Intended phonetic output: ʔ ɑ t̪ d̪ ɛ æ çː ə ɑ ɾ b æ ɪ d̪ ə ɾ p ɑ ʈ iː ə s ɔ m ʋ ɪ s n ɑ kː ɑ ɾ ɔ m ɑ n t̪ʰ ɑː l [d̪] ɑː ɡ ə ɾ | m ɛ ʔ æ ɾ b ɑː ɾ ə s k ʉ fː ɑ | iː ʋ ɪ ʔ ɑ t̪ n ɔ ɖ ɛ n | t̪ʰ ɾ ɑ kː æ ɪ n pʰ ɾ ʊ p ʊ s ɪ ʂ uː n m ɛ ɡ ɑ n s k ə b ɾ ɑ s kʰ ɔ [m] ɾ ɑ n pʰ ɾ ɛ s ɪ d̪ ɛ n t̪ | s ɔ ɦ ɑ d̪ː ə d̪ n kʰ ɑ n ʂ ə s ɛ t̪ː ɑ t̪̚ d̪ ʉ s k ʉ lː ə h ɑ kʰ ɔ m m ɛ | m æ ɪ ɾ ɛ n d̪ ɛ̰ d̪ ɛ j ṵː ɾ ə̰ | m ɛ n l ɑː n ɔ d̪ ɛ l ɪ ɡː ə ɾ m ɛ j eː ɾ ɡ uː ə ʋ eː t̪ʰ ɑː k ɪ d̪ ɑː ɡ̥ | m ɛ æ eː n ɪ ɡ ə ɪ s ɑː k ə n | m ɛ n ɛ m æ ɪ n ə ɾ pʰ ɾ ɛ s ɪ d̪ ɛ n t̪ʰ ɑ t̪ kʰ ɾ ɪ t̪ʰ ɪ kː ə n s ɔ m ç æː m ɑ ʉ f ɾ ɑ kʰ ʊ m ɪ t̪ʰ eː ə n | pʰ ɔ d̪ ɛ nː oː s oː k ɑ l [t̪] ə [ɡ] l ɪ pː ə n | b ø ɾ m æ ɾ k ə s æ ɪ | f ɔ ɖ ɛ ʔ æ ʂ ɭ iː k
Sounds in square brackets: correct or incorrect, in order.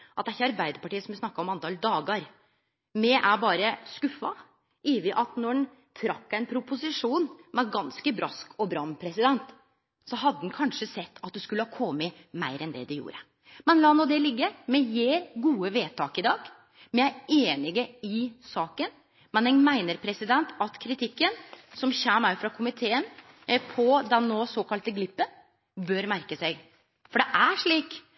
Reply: correct, incorrect: b, correct, correct

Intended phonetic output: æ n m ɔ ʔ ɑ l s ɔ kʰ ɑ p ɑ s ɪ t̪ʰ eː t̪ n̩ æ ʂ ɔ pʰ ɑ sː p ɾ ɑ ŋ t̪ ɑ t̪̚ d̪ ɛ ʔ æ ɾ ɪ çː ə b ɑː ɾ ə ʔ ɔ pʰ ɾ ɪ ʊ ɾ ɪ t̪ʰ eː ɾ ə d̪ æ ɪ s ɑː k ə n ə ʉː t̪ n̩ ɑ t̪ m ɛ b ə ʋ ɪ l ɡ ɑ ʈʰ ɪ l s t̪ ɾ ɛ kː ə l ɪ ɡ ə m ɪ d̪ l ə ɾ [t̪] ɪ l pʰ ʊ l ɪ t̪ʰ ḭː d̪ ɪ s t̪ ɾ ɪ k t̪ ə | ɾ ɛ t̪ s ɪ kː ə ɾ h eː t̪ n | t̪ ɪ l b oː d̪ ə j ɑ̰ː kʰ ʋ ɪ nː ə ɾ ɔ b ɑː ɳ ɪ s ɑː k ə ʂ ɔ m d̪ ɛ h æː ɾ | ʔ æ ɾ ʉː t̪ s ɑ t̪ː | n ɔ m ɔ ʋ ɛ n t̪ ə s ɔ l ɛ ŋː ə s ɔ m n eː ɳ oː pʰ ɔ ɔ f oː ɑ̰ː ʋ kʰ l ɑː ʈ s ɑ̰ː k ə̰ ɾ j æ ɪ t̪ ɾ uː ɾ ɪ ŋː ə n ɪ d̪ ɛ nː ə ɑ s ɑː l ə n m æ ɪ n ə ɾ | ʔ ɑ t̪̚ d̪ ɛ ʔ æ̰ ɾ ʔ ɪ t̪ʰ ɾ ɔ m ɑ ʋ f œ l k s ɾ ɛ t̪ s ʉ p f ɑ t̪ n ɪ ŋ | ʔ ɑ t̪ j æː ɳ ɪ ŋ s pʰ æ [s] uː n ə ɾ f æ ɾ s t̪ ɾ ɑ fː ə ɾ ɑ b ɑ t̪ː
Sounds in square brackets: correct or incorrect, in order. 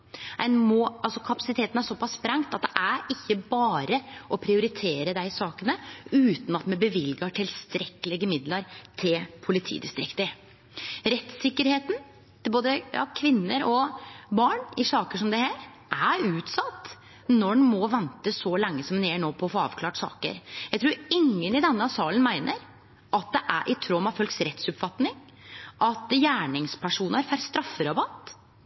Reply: incorrect: t̪ʰ, incorrect: ʂ

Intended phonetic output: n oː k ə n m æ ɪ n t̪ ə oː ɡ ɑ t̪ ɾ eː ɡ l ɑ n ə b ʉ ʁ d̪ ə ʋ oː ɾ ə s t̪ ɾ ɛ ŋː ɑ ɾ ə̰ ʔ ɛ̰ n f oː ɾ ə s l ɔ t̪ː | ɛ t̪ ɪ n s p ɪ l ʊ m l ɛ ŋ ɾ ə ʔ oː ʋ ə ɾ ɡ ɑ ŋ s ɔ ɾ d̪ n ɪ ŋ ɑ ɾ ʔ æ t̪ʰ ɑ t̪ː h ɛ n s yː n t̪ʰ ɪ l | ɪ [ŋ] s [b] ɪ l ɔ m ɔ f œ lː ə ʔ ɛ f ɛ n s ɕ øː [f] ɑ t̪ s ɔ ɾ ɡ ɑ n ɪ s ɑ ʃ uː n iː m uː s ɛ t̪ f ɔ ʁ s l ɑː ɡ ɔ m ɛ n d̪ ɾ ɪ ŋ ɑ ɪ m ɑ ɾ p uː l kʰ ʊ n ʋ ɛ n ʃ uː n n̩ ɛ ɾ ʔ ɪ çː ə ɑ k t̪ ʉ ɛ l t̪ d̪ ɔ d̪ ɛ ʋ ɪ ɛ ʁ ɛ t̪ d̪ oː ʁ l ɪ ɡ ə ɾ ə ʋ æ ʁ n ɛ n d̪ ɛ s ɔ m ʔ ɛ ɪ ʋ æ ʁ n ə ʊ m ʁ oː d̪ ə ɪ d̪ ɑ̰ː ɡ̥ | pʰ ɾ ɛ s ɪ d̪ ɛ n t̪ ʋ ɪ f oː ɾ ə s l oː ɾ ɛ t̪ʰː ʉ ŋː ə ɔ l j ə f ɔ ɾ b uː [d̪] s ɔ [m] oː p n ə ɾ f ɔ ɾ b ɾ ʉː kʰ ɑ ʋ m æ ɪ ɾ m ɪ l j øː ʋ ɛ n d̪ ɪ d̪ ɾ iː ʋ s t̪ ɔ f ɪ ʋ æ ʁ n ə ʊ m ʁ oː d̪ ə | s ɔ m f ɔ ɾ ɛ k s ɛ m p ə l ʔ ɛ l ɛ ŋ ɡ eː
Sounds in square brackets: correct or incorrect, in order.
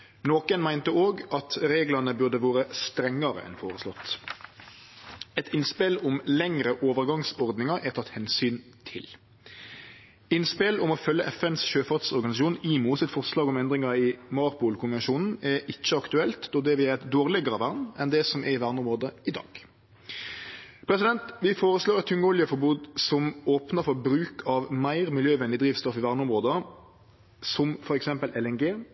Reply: incorrect: n, incorrect: p, correct, correct, correct

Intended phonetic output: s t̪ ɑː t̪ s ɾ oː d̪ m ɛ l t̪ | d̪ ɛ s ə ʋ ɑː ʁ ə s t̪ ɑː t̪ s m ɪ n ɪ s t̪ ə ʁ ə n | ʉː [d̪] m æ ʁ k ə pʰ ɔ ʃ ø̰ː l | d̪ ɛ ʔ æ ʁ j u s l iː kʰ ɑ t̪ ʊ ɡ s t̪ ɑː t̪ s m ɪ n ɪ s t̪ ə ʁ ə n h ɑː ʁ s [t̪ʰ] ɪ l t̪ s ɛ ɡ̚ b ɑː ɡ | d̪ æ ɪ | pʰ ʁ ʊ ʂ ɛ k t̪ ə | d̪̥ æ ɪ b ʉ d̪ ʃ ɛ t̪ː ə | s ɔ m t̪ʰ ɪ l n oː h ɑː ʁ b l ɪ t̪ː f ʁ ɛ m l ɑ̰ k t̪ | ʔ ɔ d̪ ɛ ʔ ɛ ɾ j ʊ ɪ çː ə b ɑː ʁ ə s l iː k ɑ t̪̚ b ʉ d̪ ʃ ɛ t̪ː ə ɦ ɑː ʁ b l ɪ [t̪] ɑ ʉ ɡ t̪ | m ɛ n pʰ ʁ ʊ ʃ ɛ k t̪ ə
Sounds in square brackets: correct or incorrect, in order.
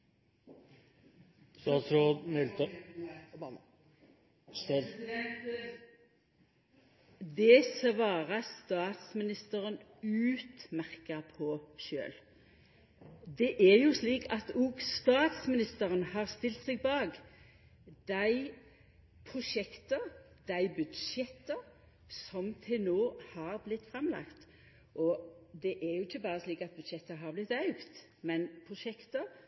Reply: incorrect: t̪, incorrect: t̪, correct

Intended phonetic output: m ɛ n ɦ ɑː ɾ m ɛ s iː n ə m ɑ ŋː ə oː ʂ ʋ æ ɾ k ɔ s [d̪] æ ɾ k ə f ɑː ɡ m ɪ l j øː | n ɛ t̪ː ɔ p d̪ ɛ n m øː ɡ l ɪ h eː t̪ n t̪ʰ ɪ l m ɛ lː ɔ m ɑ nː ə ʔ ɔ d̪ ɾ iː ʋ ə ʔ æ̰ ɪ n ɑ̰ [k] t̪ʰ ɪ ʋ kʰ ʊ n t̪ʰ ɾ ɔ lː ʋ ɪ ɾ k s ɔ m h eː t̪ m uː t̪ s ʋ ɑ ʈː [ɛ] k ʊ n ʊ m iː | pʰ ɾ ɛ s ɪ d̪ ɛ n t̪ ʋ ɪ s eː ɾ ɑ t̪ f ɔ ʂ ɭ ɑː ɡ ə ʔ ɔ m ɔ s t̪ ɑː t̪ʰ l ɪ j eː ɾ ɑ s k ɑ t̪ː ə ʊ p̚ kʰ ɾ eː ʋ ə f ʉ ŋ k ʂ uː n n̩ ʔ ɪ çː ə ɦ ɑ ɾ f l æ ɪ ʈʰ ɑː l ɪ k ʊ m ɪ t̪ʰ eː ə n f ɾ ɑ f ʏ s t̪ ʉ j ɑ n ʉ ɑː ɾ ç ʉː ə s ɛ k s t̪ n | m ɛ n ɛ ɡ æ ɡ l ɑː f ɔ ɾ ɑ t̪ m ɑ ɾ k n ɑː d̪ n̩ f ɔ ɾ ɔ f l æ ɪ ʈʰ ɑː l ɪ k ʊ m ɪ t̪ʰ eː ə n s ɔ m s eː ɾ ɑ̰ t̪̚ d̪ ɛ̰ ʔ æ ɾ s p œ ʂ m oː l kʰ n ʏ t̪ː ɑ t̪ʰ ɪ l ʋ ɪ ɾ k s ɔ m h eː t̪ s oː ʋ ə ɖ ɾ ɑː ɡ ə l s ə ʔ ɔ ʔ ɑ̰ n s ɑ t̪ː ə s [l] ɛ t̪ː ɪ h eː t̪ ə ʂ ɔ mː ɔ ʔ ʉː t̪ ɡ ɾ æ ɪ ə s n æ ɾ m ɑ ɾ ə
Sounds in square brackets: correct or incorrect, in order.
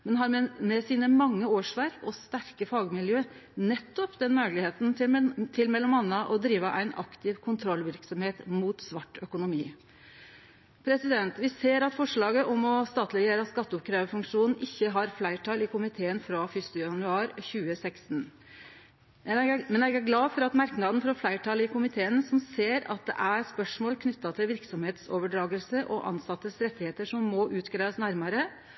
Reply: incorrect: t̪, correct, incorrect: œ, incorrect: ɾ

